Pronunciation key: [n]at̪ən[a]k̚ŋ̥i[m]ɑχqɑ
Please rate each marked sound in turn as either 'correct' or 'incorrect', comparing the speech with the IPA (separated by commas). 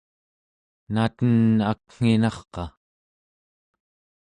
correct, correct, incorrect